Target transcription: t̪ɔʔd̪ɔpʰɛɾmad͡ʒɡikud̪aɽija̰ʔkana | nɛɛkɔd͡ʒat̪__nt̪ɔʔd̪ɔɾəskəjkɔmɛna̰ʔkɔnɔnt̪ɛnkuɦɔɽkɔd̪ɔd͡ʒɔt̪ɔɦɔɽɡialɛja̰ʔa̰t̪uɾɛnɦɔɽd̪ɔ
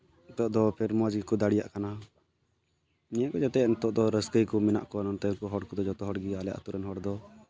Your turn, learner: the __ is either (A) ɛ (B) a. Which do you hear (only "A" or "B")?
A